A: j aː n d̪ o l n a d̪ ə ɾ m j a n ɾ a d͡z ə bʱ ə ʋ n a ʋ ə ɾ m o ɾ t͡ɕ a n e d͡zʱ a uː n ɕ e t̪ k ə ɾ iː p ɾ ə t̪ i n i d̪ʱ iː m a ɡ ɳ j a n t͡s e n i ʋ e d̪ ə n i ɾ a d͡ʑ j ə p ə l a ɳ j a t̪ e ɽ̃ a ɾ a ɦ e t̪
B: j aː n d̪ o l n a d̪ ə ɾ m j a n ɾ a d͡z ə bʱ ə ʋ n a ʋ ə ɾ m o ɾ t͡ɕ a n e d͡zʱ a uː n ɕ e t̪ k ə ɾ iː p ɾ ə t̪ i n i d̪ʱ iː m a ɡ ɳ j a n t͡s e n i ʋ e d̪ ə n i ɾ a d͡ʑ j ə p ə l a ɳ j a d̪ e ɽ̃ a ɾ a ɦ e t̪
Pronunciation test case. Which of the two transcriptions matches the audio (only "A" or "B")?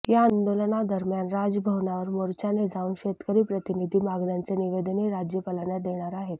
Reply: B